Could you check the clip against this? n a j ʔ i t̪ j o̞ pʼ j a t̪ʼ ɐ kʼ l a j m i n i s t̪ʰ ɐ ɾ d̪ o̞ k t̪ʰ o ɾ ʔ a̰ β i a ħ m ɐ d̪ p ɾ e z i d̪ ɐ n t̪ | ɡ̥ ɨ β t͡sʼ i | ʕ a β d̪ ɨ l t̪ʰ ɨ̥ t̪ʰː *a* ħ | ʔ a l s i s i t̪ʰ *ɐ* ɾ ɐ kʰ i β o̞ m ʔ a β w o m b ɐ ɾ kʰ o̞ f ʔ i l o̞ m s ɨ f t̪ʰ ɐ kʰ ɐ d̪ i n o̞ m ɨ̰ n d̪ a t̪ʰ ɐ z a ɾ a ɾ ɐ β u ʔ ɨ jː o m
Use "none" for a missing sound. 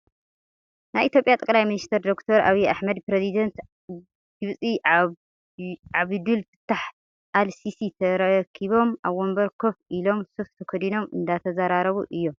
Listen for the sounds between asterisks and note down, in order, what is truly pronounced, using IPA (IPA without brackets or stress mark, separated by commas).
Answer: a, ɐ